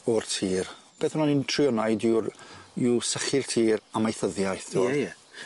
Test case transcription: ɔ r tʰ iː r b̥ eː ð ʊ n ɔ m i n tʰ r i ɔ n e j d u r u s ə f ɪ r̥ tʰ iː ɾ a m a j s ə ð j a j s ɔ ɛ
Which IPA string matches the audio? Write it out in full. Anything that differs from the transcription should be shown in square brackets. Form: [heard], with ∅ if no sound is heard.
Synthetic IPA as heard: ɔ r tʰ iː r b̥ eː [θ] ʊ n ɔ [n] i n tʰ r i ɔ n [a] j d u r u s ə [χ] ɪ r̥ tʰ iː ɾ a m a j [θ] ə ð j a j [θ] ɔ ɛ